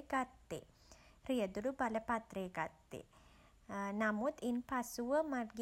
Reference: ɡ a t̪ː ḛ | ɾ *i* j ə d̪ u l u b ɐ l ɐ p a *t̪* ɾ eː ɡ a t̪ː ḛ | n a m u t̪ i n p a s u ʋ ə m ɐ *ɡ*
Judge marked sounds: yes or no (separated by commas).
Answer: yes, yes, yes